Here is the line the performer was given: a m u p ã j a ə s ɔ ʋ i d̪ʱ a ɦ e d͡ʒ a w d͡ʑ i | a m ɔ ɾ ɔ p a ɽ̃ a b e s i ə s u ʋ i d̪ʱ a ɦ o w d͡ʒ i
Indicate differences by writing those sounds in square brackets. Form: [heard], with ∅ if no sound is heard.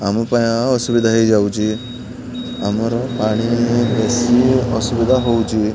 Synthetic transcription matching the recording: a m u p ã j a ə s [u] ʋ i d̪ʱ a ɦ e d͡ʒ a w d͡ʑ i | a m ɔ ɾ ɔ p a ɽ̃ [i] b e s i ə s u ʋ i d̪ʱ a ɦ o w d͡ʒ i